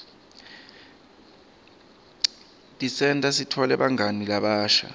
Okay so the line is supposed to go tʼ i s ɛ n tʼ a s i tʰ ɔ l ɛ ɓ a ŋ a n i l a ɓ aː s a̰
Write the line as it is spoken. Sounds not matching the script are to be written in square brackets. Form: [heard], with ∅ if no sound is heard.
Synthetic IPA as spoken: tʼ i s ɛ n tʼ a s i tʰ ɔ l ɛ ɓ a ŋ a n i l a ɓ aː [ʃ] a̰